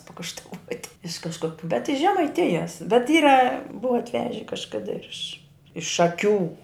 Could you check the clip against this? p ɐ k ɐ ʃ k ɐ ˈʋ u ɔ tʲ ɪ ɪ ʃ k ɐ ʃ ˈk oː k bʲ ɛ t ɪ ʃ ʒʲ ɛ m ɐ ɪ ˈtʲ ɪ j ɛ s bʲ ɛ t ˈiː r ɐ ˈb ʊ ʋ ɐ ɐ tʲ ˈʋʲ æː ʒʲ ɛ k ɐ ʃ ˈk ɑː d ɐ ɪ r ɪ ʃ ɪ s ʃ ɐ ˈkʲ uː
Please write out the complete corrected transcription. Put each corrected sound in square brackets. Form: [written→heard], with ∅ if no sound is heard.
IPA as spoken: p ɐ k ɐ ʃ [k→t] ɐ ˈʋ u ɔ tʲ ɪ ɪ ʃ k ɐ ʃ ˈk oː k bʲ ɛ t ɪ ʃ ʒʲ ɛ m ɐ ɪ ˈtʲ ɪ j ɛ s bʲ ɛ t ˈiː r ɐ ˈb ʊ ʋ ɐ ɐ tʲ ˈʋʲ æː ʒʲ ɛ k ɐ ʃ ˈk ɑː d ɐ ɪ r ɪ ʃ ɪ [s→ʃ] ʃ ɐ ˈkʲ uː

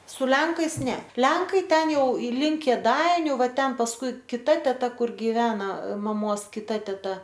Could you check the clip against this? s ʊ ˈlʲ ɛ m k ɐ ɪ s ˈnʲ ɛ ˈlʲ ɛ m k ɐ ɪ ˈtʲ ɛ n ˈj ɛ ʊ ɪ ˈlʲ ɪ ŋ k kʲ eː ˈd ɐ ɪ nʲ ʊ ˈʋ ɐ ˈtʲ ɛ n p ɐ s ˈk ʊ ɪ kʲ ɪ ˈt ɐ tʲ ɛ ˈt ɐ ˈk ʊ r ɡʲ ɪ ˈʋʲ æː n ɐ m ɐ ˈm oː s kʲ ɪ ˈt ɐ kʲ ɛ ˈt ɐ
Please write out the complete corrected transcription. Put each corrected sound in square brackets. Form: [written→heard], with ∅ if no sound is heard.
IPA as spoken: s ʊ ˈlʲ ɛ [m→ŋ] k ɐ ɪ s ˈnʲ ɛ ˈlʲ ɛ [m→ŋ] k ɐ ɪ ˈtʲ ɛ n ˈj ɛ ʊ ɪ ˈlʲ ɪ ŋ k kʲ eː ˈd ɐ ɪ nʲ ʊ ˈʋ ɐ ˈtʲ ɛ n p ɐ s ˈk ʊ ɪ kʲ ɪ ˈt ɐ tʲ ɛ ˈt ɐ ˈk ʊ r ɡʲ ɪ ˈʋʲ æː n ɐ m ɐ ˈm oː s kʲ ɪ ˈt ɐ [kʲ→tʲ] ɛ ˈt ɐ

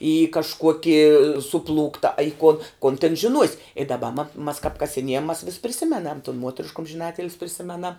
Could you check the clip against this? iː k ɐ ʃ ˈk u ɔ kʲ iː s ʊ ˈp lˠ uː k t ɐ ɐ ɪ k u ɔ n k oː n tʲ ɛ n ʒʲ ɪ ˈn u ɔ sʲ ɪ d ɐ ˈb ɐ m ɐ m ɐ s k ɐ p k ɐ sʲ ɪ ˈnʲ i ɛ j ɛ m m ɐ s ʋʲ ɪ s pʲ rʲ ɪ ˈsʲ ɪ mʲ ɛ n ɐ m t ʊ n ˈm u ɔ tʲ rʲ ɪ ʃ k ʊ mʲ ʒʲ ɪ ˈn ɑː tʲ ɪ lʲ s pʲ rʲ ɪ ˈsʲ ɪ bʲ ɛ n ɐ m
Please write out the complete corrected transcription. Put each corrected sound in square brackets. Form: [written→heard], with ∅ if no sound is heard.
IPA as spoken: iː k ɐ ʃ ˈk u ɔ kʲ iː s ʊ ˈp lˠ uː k t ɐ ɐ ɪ k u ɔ n k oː n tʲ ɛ n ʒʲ ɪ ˈn u ɔ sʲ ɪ d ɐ ˈb ɐ m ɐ m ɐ s k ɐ p k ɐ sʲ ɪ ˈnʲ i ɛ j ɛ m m ɐ s ʋʲ ɪ s pʲ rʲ ɪ ˈsʲ ɪ mʲ ɛ n ɐ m t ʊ n ˈm u ɔ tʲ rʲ ɪ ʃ k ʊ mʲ ʒʲ ɪ ˈn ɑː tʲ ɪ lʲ s pʲ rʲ ɪ ˈsʲ ɪ [bʲ→mʲ] ɛ n ɐ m

